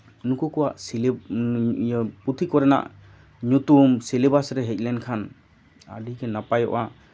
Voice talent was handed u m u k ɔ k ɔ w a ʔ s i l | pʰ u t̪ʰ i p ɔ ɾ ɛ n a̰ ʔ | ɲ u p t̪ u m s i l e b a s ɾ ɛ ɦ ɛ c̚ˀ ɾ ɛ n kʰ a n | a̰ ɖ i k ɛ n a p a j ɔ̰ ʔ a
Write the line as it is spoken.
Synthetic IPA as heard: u n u k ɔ k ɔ w a ʔ s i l | p u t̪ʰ i k ɔ ɾ ɛ n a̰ ʔ | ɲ u t̪ u m s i l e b a s ɾ ɛ ɦ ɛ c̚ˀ l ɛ n kʰ a n | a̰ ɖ i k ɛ n a p a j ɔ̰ ʔ a